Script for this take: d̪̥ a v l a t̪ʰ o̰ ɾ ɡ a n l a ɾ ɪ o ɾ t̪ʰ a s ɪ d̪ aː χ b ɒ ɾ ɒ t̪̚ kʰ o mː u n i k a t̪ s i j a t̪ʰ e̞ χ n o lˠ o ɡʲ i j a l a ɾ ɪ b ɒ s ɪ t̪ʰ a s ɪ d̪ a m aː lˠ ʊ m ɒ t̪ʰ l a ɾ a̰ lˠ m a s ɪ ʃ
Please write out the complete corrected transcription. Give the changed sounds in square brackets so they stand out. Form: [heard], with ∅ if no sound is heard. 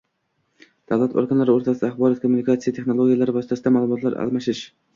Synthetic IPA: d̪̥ a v l a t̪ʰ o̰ ɾ ɡ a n l a ɾ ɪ o ɾ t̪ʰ a s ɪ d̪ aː χ b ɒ ɾ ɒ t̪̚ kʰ o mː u n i k a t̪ s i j a t̪ʰ e̞ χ n o lˠ o ɡʲ i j a l a ɾ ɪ b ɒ s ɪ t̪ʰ a s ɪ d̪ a m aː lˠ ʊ m ɒ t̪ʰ l a ɾ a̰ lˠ m a [ʃ] ɪ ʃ